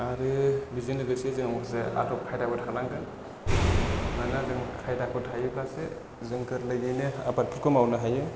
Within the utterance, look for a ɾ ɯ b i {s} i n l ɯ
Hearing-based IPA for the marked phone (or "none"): z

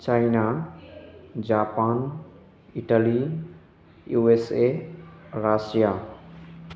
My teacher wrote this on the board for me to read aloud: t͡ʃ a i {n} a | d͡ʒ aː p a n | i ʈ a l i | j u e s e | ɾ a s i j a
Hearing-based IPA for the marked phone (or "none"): n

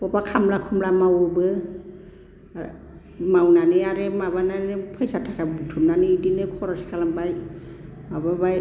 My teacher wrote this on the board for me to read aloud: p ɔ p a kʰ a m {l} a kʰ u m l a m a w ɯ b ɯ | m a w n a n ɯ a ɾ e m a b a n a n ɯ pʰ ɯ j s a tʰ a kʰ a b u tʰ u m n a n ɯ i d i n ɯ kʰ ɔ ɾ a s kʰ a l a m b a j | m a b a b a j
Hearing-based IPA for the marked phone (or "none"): l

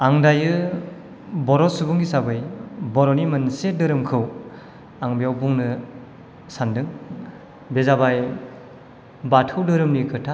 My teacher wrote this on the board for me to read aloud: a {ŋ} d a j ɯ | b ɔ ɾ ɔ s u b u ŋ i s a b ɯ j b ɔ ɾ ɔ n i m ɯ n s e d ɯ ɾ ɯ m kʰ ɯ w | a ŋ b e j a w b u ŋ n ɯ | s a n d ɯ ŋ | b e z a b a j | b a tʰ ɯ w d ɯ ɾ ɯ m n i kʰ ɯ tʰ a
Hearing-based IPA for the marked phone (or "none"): ŋ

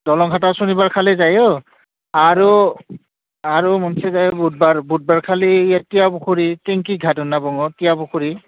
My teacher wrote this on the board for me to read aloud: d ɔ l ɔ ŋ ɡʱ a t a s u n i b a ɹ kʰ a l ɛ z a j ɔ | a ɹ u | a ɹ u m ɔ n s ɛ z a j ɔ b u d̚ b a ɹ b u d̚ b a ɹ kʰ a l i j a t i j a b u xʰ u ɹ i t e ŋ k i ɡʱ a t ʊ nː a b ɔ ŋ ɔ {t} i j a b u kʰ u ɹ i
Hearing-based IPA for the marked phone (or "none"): t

